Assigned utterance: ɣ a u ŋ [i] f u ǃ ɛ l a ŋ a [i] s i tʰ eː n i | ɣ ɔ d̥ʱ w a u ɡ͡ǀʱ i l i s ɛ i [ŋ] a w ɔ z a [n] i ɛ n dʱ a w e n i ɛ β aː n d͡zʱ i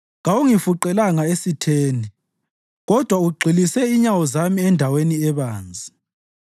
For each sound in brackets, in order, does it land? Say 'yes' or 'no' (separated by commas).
yes, no, no, no